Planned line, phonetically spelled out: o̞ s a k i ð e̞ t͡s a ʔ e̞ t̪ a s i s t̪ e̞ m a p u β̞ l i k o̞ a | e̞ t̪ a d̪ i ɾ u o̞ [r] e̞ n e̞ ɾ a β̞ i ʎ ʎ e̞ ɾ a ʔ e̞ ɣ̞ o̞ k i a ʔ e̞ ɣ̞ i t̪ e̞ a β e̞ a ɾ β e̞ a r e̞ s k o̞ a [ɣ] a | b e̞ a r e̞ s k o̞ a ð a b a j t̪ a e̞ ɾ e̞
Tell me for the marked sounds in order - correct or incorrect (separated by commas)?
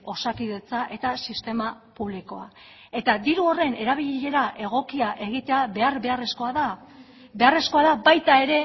correct, incorrect